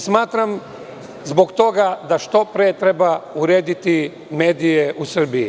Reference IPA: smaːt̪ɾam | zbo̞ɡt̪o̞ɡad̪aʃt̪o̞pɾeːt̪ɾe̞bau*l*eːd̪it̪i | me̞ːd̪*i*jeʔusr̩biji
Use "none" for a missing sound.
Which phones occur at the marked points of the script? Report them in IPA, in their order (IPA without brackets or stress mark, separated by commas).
ɾ, i